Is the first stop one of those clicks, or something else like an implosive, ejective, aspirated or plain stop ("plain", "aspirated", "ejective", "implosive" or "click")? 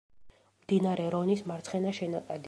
plain